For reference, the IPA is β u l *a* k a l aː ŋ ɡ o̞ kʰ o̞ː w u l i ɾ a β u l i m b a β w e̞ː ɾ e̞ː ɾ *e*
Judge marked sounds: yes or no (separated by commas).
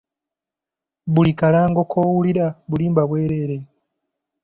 no, yes